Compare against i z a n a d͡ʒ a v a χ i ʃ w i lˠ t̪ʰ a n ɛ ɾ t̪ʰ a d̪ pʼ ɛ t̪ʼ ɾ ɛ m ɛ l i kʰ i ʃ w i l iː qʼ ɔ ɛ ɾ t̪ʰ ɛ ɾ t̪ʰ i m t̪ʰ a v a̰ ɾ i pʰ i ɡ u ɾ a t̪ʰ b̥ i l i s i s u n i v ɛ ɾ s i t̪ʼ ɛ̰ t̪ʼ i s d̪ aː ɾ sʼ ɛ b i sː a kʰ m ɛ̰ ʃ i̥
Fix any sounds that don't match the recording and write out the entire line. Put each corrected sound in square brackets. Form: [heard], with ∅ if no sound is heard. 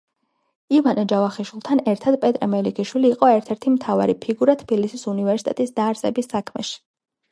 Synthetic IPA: i [v] a n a d͡ʒ a v a χ i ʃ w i lˠ t̪ʰ a n ɛ ɾ t̪ʰ a d̪ pʼ ɛ t̪ʼ ɾ ɛ m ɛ l i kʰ i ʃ w i l iː qʼ ɔ ɛ ɾ t̪ʰ ɛ ɾ t̪ʰ i m t̪ʰ a v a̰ ɾ i pʰ i ɡ u ɾ a t̪ʰ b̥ i l i s i s u n i v ɛ ɾ s i t̪ʼ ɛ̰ t̪ʼ i s d̪ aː ɾ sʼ ɛ b i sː a kʰ m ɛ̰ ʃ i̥